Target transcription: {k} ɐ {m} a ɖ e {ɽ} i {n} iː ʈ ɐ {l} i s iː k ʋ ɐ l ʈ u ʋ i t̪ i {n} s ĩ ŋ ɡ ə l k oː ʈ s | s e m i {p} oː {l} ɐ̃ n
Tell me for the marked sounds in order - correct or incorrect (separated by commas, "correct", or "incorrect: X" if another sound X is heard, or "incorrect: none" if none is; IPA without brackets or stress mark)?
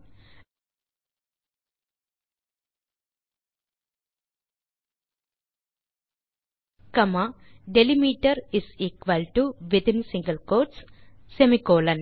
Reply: correct, correct, incorrect: l, incorrect: m, incorrect: ɾ, correct, incorrect: k, correct